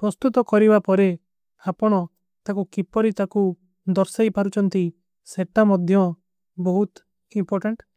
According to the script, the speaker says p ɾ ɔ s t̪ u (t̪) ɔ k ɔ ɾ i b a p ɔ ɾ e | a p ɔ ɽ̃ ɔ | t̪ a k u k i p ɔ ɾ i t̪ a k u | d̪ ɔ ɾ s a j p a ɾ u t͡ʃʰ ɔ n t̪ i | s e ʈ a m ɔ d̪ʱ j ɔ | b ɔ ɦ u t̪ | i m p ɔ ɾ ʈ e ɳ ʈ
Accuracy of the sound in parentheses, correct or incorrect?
correct